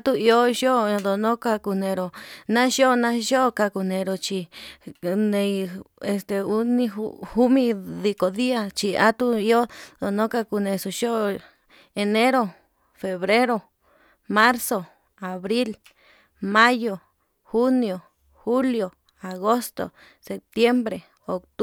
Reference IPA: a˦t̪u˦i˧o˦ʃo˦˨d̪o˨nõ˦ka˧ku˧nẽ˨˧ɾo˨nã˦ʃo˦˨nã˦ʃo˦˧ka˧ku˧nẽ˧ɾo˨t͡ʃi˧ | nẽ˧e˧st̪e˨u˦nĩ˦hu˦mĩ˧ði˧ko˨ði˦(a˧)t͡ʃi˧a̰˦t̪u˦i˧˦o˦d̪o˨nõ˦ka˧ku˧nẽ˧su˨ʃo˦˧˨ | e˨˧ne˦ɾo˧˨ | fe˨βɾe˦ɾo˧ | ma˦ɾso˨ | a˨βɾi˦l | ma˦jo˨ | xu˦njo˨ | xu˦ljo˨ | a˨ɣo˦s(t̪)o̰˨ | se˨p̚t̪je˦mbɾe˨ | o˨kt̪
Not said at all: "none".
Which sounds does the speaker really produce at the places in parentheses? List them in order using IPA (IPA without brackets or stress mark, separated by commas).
a˧, t̪